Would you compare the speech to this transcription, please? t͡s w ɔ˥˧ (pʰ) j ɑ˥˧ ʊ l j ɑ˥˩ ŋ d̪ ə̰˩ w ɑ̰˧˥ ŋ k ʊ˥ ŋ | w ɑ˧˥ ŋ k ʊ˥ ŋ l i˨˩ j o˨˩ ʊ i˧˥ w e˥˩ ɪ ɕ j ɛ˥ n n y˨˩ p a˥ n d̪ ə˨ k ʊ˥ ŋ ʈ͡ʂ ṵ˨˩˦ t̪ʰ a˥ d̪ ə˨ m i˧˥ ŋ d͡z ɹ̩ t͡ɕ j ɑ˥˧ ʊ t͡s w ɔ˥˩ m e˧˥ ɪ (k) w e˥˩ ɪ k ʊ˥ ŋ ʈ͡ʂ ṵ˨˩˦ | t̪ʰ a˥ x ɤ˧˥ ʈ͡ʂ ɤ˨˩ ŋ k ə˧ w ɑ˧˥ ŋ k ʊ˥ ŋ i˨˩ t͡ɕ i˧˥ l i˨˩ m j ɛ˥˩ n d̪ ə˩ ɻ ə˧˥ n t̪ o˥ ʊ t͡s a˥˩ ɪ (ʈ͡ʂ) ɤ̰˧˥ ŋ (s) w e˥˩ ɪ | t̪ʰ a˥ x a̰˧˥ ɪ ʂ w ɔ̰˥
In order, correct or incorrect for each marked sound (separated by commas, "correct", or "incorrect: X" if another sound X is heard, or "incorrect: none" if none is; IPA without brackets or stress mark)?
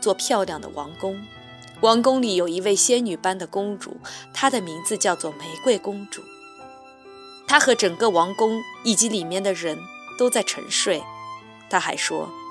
correct, correct, incorrect: ʈ͡ʂʰ, incorrect: ʂ